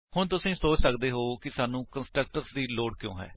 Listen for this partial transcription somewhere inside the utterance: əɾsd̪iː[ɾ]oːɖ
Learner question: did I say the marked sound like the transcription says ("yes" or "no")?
no